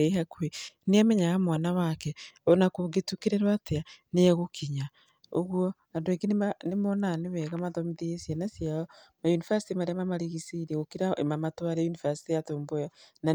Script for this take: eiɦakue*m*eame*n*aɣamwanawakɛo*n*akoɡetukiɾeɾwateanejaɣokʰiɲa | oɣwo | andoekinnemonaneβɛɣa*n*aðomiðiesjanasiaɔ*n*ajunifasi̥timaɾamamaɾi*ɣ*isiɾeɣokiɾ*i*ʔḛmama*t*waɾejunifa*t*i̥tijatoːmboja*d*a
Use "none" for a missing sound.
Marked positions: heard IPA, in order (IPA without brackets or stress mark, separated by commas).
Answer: n, ɲ, n, m, m, ɣ, a, t, s, n